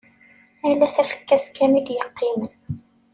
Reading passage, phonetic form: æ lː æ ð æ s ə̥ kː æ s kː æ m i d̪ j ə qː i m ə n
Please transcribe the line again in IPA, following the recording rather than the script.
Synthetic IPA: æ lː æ θ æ f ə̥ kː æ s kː æ m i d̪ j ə qː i m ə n